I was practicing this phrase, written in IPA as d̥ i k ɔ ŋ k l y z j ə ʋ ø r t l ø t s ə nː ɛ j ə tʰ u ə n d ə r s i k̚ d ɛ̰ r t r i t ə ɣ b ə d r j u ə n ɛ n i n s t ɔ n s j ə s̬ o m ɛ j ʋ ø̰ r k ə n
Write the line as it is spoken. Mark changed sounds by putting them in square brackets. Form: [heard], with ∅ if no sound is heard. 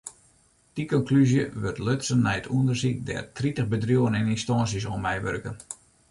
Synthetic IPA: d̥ i k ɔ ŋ k l y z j ə ʋ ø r t l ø t s ə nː ɛ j ə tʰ u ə n d ə r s i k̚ d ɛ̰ r t r i t ə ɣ b ə d r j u ə n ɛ n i n s t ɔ n s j ə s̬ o m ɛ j ʋ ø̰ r k ə n